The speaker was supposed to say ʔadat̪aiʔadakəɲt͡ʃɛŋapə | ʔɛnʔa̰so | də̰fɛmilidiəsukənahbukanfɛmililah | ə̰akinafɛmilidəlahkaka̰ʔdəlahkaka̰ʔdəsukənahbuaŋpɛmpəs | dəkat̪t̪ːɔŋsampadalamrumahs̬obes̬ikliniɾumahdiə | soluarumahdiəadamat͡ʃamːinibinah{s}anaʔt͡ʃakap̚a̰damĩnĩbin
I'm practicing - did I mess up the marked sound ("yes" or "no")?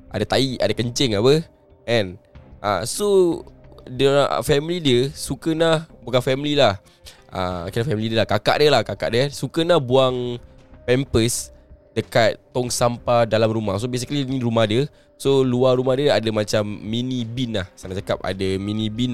no